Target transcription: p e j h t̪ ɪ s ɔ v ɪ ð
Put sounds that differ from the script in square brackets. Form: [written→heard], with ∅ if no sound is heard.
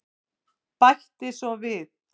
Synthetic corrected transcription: p [e→a] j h t̪ ɪ s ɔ v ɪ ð